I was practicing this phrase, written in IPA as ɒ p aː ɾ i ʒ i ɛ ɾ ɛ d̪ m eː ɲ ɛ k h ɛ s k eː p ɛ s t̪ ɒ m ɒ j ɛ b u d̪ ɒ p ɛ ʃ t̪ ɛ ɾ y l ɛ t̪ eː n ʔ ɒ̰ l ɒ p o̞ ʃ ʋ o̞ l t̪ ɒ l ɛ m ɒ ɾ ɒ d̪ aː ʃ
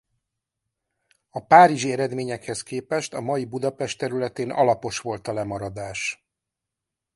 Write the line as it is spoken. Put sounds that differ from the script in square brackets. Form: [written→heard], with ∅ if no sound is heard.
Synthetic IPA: ɒ p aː ɾ i ʒ i ɛ ɾ ɛ d̪ m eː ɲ ɛ k h ɛ s k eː p ɛ [s→ʃ] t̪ ɒ m ɒ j [ɛ→i] b u d̪ ɒ p ɛ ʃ t̪ ɛ ɾ y l ɛ t̪ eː n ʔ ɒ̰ l ɒ p o̞ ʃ ʋ o̞ l t̪ ɒ l ɛ m ɒ ɾ ɒ d̪ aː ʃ